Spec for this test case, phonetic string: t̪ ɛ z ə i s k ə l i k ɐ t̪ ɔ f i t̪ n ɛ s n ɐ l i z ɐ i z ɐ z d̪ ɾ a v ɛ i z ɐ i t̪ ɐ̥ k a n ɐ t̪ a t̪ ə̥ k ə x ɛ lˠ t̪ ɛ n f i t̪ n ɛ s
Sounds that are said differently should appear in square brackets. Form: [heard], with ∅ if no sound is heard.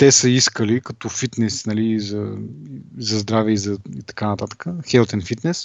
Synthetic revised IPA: t̪ ɛ [s] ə i s k ə l i k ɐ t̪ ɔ f i t̪ n ɛ s n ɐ l i z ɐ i z ɐ z d̪ ɾ a v ɛ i z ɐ i t̪ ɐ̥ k a n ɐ t̪ a t̪ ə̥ k ə x ɛ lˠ t̪ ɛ n f i t̪ n ɛ s